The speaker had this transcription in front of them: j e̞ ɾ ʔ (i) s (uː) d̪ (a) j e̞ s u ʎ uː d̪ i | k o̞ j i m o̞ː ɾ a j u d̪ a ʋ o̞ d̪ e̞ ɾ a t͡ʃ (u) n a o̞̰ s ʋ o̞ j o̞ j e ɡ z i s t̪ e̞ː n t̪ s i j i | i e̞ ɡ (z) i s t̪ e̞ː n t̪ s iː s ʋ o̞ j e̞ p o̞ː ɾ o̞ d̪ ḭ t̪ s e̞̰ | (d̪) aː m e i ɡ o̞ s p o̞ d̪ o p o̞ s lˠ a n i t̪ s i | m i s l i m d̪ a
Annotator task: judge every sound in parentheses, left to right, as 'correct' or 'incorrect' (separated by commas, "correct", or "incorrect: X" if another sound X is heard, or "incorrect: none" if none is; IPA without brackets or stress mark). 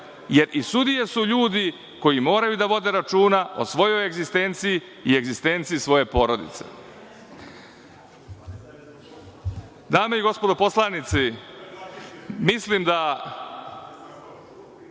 correct, incorrect: u, incorrect: i, incorrect: uː, correct, correct